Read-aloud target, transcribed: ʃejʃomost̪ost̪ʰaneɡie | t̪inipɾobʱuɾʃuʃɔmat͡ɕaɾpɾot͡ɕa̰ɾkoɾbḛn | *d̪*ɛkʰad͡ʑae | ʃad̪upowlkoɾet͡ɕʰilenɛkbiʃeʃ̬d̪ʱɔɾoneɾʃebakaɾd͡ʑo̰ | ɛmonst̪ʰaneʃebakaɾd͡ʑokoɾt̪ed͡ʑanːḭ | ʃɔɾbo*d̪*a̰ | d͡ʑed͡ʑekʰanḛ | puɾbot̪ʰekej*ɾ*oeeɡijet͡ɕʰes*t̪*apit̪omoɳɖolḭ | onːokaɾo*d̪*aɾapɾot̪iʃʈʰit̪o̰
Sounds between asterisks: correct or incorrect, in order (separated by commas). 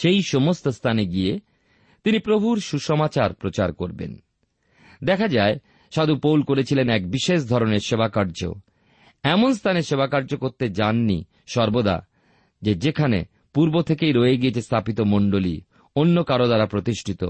correct, correct, correct, incorrect, correct